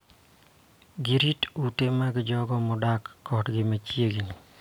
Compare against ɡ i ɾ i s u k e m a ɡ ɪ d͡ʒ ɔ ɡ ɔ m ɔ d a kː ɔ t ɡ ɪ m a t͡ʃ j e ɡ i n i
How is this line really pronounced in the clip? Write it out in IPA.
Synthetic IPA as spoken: ɡ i ɾ i t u t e m a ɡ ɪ d͡ʒ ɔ ɡ ɔ m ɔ d a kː ɔ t ɡ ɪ m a t͡ʃ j e ɡ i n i